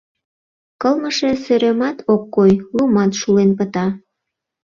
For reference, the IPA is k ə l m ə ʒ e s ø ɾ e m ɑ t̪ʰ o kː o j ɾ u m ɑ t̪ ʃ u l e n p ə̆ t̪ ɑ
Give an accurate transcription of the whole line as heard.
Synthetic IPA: k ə l m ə ʃ e s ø ɾ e m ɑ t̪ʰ o kː o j l u m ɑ t̪ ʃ u l e n p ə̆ t̪ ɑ